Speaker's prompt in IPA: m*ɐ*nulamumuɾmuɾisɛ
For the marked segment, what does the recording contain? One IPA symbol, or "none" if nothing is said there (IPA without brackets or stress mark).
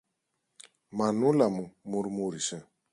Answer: a